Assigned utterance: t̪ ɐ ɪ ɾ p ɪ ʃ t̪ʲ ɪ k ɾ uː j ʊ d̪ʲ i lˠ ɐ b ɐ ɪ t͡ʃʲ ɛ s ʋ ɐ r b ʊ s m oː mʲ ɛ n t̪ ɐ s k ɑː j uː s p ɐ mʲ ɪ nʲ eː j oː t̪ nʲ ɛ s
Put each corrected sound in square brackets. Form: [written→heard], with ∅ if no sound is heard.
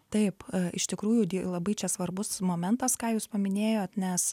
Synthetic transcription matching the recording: t̪ ɐ ɪ [ɾ→∅] p ɪ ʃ t̪ʲ ɪ k ɾ uː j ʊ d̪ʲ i lˠ ɐ b ɐ ɪ t͡ʃʲ ɛ s ʋ ɐ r b ʊ s m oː mʲ ɛ n t̪ ɐ s k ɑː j uː s p ɐ mʲ ɪ nʲ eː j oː t̪ nʲ ɛ s